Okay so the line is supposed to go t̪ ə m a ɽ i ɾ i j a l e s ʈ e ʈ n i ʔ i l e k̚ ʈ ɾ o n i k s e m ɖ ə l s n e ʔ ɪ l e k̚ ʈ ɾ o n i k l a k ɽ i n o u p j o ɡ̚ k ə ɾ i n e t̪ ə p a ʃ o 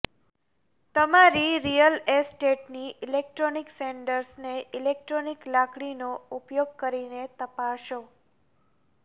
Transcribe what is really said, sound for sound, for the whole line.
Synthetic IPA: t̪ ə m a ɾ i ɾ i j ə l e s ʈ e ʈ n i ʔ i l e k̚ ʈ ɾ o n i k s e ɳ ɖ ə ɾ s n e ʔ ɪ l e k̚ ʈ ɾ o n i k l a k ɽ i n o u p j o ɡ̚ k ə ɾ i n e t̪ ə p a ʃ o